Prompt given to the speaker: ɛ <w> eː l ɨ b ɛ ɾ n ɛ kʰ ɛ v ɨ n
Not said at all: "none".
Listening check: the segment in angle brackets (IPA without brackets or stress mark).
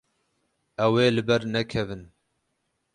w